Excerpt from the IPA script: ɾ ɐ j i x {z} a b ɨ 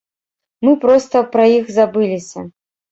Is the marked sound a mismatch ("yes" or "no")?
no